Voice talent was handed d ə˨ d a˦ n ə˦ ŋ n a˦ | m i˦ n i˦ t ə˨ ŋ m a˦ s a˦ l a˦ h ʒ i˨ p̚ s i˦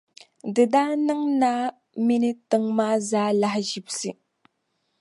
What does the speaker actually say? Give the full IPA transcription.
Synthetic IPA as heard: d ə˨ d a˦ n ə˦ ŋ n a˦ | m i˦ n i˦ t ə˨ ŋ m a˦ z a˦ l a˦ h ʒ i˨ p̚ s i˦

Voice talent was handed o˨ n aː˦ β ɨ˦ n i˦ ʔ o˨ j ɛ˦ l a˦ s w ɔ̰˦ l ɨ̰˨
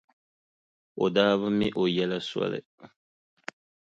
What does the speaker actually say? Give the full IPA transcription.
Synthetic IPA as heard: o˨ d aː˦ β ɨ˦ m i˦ ʔ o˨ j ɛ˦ l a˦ s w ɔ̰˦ l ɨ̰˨

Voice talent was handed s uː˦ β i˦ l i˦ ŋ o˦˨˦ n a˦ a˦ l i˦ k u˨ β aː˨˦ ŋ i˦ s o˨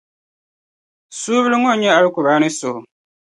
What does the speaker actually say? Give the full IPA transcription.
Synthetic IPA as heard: s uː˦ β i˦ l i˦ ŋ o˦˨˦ ɲ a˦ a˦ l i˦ k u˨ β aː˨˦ n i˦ s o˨

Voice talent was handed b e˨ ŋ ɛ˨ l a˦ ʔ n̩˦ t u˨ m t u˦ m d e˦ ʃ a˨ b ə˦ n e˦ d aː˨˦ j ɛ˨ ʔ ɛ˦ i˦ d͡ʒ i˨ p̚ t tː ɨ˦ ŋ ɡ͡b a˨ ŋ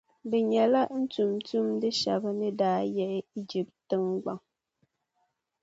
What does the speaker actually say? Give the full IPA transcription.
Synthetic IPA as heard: b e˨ ɲ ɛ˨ l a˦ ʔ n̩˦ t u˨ m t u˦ m d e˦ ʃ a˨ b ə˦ n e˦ d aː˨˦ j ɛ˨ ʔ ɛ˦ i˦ d͡ʒ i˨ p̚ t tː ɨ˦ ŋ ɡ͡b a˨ ŋ

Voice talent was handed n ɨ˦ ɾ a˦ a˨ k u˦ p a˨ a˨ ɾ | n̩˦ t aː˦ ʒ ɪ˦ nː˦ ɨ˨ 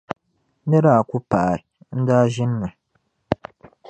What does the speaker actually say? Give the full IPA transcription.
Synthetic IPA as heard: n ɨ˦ ɾ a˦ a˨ k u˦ p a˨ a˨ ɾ | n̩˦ d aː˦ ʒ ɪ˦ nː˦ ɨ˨

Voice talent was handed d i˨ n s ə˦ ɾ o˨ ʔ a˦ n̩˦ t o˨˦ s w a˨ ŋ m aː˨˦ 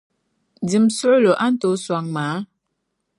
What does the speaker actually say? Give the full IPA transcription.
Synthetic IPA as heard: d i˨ m s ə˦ l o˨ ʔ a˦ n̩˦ t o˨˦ s w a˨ ŋ m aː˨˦

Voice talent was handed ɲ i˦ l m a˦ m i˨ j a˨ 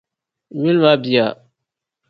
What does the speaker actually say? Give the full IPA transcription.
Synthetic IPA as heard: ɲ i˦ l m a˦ b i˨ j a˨

